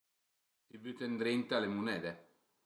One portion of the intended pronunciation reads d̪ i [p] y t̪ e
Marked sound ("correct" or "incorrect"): incorrect